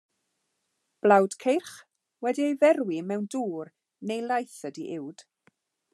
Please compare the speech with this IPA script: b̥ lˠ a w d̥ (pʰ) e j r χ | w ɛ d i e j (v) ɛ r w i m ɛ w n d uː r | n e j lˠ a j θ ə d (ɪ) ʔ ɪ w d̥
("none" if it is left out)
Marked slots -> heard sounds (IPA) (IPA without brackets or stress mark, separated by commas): kʰ, v, i